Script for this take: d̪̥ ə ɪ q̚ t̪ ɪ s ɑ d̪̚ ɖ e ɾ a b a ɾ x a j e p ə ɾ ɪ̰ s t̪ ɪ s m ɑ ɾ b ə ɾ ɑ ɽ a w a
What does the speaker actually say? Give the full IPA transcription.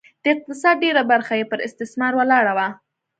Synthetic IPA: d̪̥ ə ɪ q̚ t̪ ɪ s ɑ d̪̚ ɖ e ɾ a b a ɾ x a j e p ə ɾ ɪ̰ s t̪ ɪ s m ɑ ɾ w ə l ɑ ɽ a w a